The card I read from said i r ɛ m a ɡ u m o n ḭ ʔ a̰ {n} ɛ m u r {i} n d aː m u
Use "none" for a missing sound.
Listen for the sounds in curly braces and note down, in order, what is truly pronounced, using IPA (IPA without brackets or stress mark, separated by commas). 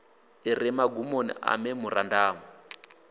m, a